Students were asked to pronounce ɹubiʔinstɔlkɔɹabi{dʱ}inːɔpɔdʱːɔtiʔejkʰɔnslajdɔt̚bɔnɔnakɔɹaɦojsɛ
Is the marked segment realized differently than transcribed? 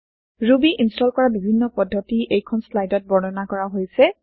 yes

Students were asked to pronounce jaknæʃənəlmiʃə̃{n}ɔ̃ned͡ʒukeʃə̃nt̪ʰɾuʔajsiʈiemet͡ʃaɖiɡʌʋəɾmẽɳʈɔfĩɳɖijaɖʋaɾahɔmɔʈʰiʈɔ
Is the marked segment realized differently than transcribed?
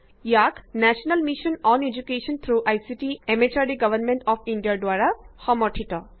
no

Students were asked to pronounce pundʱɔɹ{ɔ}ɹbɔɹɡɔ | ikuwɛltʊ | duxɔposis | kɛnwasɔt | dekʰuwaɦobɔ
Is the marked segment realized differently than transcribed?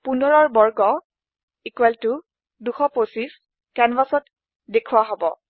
no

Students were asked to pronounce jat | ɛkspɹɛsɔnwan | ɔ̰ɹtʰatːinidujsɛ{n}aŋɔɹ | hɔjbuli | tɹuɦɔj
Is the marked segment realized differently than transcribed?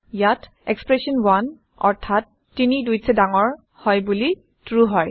yes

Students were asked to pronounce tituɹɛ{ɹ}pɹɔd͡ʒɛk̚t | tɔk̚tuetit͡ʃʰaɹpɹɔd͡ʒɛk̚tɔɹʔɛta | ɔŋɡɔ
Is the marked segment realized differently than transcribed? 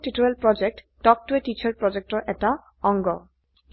yes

